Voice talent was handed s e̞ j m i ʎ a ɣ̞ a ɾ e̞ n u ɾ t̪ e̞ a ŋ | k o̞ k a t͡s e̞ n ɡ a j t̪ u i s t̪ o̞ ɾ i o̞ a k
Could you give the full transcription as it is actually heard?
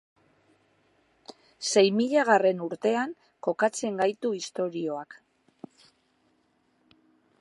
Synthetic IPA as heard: s e̞ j m i ʎ a ɣ̞ a r e̞ n u ɾ t̪ e̞ a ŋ | k o̞ k a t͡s e̞ ŋ ɡ a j t̪ u i s t̪ o̞ ɾ i o̞ a k